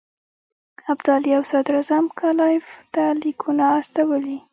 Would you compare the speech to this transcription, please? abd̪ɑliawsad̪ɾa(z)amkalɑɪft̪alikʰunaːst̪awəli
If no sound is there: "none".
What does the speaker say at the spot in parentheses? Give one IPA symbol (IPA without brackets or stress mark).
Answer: z